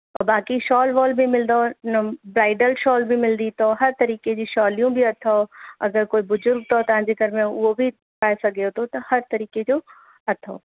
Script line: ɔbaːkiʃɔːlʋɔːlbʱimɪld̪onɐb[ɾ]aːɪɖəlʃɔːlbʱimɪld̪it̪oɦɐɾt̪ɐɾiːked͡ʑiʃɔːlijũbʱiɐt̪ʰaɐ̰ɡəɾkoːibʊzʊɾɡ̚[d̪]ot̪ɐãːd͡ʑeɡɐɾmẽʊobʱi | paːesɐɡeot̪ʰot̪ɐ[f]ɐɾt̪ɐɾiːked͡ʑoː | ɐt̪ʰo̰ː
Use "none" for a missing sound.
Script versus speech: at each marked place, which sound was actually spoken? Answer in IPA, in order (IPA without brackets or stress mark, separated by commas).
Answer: ɾ, t̪, h